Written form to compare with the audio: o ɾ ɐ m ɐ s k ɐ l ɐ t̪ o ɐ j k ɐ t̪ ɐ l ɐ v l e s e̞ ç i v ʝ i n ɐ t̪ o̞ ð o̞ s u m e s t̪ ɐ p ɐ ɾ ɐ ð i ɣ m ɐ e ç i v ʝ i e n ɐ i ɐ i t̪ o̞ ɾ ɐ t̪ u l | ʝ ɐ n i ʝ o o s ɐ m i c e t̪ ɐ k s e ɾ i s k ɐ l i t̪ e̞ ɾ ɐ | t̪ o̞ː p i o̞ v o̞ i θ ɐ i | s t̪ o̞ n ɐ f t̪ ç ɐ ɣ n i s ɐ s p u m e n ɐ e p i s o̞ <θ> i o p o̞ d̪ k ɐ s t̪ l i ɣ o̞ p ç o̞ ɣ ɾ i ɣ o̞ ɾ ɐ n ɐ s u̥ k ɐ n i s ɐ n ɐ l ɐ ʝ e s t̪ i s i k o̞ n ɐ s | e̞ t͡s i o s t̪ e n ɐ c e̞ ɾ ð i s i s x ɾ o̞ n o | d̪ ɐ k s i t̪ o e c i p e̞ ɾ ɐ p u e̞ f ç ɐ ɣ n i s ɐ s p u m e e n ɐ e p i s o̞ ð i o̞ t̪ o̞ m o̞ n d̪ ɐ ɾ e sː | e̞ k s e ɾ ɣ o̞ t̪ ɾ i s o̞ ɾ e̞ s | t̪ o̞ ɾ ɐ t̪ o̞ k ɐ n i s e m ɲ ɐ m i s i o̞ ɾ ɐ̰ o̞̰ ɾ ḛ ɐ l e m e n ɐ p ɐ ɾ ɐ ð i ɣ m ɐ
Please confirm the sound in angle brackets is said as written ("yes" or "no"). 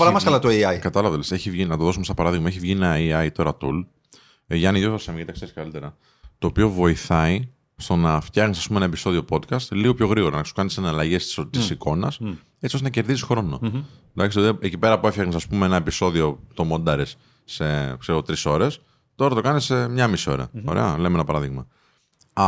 no